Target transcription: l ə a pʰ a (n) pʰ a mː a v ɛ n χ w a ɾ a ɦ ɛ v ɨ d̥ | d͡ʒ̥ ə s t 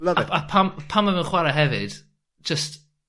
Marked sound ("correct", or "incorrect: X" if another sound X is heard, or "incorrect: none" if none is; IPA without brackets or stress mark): incorrect: m